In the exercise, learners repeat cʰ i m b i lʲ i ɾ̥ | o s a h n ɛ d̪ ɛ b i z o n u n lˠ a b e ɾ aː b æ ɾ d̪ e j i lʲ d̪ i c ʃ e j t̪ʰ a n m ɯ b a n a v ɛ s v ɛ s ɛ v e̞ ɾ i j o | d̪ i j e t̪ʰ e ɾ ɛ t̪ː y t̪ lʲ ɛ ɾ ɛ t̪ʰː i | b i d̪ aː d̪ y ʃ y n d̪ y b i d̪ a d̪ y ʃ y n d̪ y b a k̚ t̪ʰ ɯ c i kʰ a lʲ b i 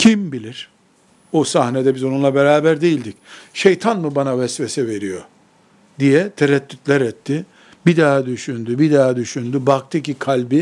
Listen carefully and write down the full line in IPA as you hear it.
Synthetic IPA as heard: cʰ i m b i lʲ i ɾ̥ | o s a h n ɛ d̪ ɛ b i z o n u n lˠ a b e ɾ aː b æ ɾ d̪ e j i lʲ d̪ i c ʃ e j t̪ʰ a n m ɯ b a n a v ɛ s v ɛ s ɛ v e̞ ɾ i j o | d̪ i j ɛ t̪ʰ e ɾ ɛ t̪ː y t̪ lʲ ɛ ɾ ɛ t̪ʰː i | b i d̪ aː d̪ y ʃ y n d̪ y b i d̪ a d̪ y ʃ y n d̪ y b a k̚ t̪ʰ ɯ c i kʰ a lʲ b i